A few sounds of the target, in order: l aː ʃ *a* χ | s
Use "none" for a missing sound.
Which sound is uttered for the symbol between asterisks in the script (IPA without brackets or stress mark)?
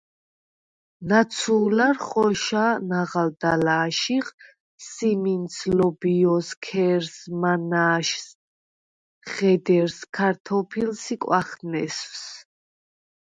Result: i